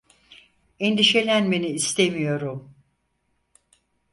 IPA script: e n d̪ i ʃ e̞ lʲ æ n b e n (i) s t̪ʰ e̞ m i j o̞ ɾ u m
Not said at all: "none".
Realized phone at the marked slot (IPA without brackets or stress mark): iː